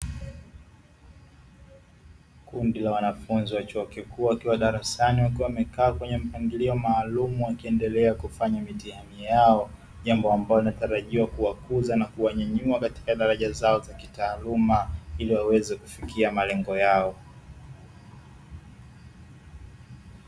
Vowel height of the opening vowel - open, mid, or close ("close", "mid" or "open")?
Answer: close